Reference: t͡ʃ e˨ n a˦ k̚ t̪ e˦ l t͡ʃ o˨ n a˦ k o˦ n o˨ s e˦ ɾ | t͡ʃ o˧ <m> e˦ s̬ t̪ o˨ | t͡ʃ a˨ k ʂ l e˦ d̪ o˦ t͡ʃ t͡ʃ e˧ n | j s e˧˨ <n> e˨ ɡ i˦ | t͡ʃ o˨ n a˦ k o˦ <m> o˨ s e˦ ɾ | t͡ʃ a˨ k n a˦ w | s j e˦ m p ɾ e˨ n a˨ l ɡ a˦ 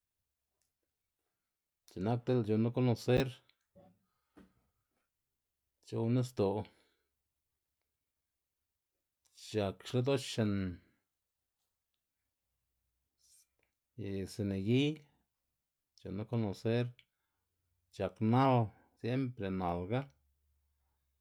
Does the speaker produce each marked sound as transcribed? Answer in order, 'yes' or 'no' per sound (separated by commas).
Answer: no, yes, no